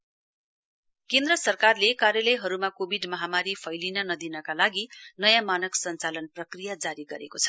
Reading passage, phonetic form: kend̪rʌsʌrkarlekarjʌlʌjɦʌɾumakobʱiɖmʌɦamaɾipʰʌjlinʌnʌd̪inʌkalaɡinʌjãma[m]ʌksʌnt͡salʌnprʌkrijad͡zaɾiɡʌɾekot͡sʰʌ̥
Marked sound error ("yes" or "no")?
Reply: yes